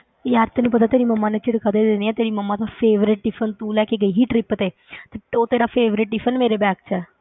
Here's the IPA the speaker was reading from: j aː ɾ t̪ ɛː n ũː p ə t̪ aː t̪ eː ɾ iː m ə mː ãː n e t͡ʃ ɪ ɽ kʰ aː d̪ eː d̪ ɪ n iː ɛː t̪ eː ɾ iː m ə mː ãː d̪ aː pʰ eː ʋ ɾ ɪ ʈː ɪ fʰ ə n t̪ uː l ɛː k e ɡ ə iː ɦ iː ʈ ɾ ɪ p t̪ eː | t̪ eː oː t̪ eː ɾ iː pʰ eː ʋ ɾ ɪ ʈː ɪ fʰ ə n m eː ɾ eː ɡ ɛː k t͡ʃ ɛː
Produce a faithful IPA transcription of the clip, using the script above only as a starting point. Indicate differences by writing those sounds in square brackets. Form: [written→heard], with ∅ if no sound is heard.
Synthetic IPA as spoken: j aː ɾ t̪ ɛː n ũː p ə t̪ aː t̪ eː ɾ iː m ə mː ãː n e t͡ʃ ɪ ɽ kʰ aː d̪ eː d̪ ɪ n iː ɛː t̪ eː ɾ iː m ə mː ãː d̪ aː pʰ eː ʋ ɾ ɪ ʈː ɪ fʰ ə n t̪ uː l ɛː k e ɡ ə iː ɦ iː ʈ ɾ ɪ p t̪ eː | t̪ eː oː t̪ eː ɾ [iː→aː] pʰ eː ʋ ɾ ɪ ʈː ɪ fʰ ə n m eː ɾ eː [ɡ→b] ɛː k t͡ʃ ɛː

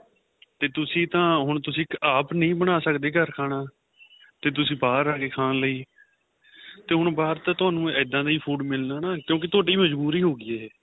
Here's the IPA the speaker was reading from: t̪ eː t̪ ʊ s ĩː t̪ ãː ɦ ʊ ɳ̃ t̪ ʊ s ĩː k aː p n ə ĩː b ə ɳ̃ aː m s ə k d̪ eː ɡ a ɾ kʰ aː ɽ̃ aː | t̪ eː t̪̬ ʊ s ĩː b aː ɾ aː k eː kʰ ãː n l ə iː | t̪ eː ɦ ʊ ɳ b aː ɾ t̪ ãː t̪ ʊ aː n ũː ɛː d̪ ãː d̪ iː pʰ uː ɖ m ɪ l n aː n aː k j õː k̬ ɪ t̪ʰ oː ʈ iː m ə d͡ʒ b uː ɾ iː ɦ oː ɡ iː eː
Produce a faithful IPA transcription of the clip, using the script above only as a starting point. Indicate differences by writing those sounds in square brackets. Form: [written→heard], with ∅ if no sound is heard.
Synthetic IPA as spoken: t̪ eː t̪ ʊ s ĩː t̪ ãː ɦ ʊ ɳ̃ t̪ ʊ s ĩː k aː p n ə ĩː b ə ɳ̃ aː [m→∅] s ə k d̪ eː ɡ [a→ə] ɾ kʰ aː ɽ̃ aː | t̪ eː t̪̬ ʊ s ĩː b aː ɾ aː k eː kʰ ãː n l ə iː | t̪ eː ɦ ʊ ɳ b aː ɾ t̪ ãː t̪ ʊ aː n ũː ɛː d̪ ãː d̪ iː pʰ uː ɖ m ɪ l n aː n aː k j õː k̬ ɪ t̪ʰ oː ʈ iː m ə d͡ʒ b uː ɾ iː ɦ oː ɡ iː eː

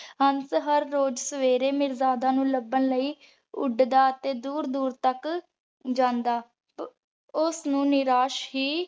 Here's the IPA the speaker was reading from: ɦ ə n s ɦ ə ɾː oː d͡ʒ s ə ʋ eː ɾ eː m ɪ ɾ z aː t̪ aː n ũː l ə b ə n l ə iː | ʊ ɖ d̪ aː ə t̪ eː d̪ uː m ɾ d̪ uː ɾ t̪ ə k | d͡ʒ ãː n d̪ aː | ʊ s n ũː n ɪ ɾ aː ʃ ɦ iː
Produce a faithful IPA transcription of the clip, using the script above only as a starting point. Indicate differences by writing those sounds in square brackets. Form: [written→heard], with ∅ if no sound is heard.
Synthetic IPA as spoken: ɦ ə n s ɦ ə ɾː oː d͡ʒ s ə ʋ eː ɾ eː m ɪ ɾ z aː [t̪→d̪] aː n ũː l ə b ə n l ə iː | ʊ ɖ d̪ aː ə t̪ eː d̪ uː [m→∅] ɾ d̪ uː ɾ t̪ ə k | d͡ʒ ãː n d̪ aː | ʊ s n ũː n ɪ ɾ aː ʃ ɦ iː

